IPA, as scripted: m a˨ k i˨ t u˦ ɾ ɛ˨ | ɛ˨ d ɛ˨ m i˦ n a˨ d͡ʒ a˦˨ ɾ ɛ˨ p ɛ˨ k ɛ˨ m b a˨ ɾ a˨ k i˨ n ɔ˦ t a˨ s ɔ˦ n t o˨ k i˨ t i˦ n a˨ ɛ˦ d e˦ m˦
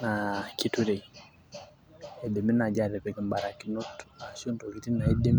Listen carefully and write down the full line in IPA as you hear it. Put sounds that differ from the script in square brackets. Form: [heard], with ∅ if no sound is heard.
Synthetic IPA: [n] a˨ k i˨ t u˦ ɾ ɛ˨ | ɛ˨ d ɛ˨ m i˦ n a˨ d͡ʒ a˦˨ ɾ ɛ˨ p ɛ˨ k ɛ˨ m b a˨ ɾ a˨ k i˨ n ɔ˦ t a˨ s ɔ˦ n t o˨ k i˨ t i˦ n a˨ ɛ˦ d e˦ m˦